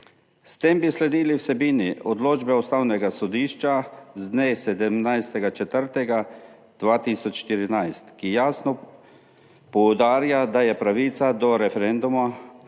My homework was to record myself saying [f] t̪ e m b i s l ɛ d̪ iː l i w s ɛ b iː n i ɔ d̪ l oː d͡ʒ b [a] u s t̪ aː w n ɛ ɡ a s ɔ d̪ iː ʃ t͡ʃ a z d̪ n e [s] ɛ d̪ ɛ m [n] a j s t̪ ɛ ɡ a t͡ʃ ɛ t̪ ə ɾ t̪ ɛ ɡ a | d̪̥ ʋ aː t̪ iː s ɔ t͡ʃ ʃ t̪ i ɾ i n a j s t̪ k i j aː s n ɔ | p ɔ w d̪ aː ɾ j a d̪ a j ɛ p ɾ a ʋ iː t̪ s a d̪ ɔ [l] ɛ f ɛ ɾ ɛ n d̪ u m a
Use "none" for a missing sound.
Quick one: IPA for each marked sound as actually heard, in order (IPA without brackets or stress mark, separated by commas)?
s, ɛ, s, n, ɾ